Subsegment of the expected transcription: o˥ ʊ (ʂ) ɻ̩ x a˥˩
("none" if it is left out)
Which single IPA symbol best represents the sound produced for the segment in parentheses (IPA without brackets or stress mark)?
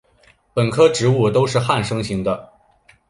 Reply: ʂ